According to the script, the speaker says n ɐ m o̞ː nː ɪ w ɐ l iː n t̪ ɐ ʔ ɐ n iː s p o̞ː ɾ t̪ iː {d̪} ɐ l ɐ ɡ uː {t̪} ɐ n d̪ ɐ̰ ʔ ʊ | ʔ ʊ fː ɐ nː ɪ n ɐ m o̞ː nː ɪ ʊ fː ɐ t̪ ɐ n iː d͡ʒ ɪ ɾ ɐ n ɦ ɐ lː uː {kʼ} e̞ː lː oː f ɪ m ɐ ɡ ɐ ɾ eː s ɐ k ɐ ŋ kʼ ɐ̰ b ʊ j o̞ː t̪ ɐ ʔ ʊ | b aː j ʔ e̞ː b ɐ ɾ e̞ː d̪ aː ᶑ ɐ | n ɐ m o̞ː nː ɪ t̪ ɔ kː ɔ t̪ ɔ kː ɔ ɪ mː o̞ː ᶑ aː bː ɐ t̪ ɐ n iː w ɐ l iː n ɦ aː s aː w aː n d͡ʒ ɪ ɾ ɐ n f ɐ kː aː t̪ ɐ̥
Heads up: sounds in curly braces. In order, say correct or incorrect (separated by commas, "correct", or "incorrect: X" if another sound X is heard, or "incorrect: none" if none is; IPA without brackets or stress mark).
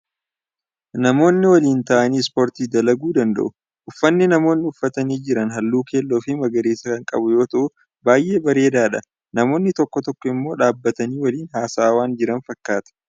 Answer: correct, incorrect: d̪, incorrect: k